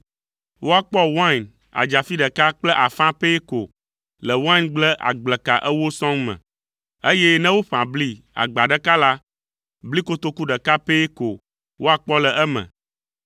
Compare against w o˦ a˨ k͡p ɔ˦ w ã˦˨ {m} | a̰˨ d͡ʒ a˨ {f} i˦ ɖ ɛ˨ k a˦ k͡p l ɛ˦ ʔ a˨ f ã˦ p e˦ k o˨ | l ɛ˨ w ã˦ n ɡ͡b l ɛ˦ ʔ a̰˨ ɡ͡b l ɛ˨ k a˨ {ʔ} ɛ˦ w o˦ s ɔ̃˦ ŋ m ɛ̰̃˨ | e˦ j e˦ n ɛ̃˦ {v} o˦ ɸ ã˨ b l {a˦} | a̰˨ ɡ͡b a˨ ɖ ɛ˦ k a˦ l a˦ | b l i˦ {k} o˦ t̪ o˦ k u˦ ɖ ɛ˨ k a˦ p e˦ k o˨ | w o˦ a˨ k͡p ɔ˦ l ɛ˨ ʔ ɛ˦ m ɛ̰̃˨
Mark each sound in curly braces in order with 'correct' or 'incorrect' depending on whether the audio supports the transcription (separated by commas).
incorrect, correct, correct, incorrect, incorrect, correct